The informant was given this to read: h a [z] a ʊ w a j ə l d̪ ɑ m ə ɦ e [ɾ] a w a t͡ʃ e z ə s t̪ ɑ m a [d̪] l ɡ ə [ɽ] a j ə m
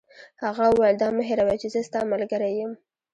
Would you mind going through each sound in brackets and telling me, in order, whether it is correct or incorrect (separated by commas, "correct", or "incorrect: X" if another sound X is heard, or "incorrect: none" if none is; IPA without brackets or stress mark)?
incorrect: ɣ, correct, incorrect: none, incorrect: ɾ